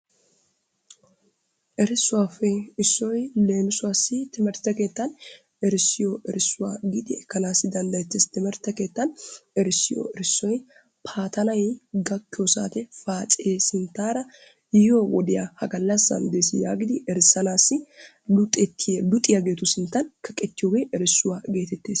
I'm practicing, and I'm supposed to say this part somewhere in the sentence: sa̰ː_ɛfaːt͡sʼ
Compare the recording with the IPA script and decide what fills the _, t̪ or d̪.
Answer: t̪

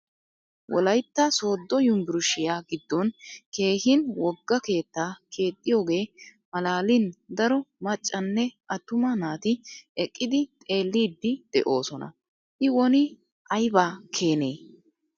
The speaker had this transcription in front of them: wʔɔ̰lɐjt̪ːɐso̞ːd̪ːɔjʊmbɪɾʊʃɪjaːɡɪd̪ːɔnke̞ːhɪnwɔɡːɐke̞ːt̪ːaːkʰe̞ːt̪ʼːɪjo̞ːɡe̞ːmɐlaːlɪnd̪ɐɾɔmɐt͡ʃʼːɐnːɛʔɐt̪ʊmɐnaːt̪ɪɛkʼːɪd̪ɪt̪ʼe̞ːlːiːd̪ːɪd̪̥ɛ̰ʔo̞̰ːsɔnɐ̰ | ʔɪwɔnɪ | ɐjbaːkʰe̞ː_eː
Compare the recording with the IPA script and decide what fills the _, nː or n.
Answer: n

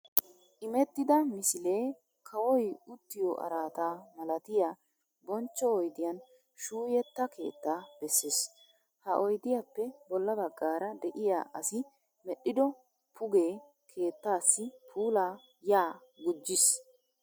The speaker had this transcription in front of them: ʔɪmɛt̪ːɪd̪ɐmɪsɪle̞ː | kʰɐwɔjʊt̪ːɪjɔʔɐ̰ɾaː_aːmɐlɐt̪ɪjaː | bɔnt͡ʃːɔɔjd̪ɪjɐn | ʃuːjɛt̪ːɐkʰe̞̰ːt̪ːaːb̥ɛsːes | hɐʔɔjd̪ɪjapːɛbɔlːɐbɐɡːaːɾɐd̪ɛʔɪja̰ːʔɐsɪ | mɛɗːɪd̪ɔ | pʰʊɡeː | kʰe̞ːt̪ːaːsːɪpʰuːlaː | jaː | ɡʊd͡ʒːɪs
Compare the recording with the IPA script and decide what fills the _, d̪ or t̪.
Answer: t̪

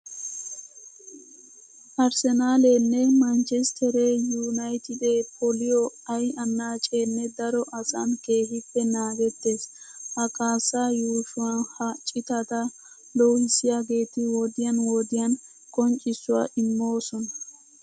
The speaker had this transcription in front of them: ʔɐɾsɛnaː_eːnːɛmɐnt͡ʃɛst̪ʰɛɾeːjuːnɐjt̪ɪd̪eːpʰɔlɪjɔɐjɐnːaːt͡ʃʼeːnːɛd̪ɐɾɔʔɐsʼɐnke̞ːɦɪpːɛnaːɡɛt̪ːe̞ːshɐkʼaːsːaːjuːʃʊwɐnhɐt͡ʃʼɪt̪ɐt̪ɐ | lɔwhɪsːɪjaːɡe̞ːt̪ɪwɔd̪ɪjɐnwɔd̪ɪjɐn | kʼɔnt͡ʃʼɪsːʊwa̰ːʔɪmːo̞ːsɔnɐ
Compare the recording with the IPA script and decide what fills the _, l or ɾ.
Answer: l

